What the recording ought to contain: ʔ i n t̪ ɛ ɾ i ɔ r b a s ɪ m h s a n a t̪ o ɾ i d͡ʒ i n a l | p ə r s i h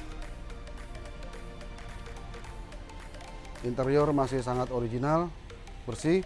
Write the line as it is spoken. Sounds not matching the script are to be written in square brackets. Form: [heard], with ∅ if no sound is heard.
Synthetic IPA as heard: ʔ i n t̪ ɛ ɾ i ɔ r [m] a s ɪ [∅] h s a [ŋ] a t̪ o ɾ i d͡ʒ i n a l | [b] ə r s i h